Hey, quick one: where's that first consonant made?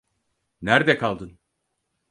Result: tongue tip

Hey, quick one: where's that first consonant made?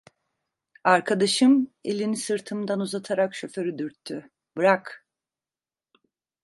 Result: tongue tip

